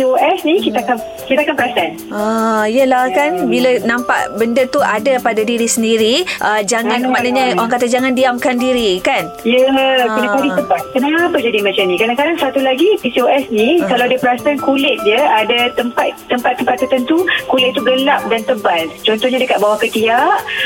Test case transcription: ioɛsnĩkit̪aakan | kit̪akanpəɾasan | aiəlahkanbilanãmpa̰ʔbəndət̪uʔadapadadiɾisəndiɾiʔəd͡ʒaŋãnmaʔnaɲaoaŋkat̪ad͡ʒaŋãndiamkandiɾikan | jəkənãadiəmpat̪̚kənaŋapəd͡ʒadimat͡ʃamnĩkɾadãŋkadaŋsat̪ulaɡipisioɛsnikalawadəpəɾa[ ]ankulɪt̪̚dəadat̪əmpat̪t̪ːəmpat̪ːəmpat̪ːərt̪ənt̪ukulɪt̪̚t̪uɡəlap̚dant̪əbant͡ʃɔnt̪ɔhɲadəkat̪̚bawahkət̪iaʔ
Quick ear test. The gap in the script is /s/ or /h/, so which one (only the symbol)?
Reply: s